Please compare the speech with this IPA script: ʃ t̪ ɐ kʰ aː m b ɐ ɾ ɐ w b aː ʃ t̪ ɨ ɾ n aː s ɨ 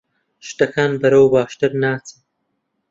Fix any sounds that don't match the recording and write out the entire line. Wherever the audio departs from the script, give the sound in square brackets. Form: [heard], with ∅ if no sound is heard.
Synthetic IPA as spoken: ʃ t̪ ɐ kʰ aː [n] b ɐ ɾ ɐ w b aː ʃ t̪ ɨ ɾ n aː [t͡s] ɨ